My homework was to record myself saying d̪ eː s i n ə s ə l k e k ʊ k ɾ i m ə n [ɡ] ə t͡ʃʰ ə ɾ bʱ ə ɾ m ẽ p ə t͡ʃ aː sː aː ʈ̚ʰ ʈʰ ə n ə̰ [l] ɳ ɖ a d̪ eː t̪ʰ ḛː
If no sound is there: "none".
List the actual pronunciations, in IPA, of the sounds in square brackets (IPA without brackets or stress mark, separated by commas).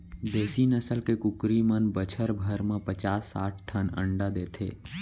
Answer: b, none